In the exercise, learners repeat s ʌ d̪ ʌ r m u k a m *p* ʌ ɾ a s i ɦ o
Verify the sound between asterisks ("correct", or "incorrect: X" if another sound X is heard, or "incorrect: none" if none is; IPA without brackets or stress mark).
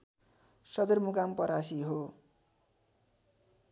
correct